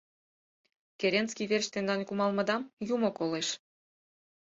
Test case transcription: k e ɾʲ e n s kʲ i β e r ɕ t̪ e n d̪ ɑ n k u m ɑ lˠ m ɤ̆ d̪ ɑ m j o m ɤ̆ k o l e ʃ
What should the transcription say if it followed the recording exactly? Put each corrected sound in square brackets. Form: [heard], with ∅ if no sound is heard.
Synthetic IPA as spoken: k e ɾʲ e n s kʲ i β e r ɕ t̪ e n d̪ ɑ n k u m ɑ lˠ m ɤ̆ d̪ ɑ m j [u] m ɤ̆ k o l e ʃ